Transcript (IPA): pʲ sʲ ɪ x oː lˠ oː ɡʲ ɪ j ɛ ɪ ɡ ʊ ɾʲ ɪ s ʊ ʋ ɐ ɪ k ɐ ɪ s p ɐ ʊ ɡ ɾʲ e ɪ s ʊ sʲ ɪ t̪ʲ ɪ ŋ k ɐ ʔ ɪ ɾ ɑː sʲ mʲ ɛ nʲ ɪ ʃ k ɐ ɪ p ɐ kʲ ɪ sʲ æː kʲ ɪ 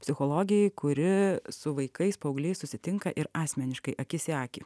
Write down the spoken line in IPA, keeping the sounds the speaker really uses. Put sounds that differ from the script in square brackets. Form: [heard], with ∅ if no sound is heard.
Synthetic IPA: pʲ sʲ ɪ x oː lˠ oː ɡʲ ɪ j ɛ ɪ [k] ʊ ɾʲ ɪ s ʊ ʋ ɐ ɪ k ɐ ɪ s p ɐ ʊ ɡ [lʲ] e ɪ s ʊ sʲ ɪ t̪ʲ ɪ ŋ k ɐ ʔ ɪ ɾ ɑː sʲ mʲ ɛ nʲ ɪ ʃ k ɐ ɪ [ʔ] ɐ kʲ ɪ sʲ æː kʲ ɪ